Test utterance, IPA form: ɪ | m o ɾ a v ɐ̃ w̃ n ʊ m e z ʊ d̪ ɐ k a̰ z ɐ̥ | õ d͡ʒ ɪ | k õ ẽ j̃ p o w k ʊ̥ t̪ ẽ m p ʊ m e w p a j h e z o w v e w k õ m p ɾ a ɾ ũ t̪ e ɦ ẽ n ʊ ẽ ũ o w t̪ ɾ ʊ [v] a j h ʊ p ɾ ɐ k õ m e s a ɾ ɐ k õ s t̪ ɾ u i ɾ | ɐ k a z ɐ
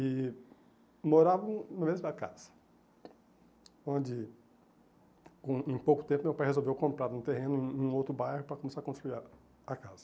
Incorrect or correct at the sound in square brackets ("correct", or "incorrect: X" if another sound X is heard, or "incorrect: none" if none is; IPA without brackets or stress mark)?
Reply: incorrect: b